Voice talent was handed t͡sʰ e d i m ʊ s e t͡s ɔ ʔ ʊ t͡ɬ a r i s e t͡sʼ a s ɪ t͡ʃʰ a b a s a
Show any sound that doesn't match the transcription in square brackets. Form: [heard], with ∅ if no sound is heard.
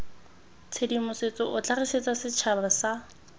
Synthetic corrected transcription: t͡sʰ e d i m ʊ s e t͡s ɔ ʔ ʊ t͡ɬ a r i s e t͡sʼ a s ɪ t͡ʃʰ a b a s a